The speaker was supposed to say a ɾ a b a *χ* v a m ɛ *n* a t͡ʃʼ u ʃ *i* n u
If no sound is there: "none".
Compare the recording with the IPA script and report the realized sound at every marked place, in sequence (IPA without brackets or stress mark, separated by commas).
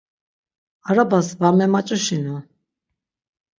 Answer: s, m, i